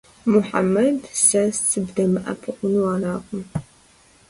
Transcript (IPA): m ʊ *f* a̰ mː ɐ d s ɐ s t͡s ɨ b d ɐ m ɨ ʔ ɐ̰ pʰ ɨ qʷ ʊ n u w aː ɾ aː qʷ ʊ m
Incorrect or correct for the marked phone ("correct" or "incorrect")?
incorrect